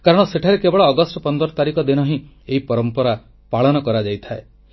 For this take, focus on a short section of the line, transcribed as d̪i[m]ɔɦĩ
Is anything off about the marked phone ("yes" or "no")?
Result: yes